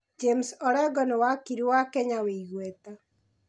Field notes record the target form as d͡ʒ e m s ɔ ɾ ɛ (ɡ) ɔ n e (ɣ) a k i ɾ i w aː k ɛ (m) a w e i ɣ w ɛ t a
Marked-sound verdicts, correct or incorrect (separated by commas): correct, incorrect, incorrect